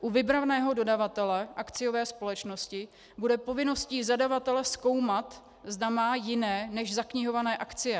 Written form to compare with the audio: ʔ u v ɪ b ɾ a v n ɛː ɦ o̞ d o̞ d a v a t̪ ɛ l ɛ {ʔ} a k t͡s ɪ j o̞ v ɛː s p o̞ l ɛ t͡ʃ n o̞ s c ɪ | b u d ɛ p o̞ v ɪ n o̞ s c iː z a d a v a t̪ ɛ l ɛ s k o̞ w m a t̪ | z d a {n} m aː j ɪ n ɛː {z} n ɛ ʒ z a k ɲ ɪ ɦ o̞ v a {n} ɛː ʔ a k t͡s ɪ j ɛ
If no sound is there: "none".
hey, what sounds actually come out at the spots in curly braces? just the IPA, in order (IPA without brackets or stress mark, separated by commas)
ʔ, none, none, n